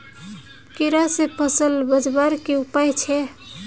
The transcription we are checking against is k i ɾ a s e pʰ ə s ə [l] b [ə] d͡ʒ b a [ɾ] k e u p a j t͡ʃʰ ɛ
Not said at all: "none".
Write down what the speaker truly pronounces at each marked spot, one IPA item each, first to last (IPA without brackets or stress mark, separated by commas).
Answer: l, ə, ɾ